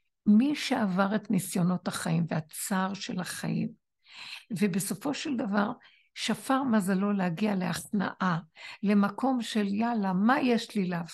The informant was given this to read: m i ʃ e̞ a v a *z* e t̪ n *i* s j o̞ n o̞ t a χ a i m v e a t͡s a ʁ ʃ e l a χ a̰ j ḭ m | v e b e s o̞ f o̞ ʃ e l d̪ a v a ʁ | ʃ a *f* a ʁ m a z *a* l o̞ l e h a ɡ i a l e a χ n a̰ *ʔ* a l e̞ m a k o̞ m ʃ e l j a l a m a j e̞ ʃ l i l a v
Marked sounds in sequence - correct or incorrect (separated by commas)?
incorrect, correct, correct, correct, correct